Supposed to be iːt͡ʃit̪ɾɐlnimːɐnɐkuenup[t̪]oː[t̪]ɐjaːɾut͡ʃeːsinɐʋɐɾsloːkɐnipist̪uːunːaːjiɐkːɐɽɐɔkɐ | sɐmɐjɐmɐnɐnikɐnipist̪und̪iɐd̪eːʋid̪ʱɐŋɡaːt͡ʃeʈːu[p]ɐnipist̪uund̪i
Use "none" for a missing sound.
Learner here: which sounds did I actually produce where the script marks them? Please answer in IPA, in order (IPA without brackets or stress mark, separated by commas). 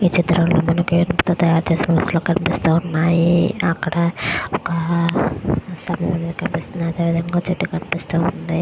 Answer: t̪, t̪, k